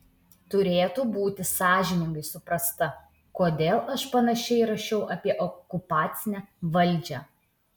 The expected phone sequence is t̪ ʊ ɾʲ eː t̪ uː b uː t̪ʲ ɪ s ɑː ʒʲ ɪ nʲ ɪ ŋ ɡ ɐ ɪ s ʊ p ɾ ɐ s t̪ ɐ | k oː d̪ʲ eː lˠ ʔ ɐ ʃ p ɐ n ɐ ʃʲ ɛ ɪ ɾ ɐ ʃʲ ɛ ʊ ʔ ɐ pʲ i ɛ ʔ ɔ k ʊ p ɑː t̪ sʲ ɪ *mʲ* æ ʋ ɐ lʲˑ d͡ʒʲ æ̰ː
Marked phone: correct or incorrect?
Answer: incorrect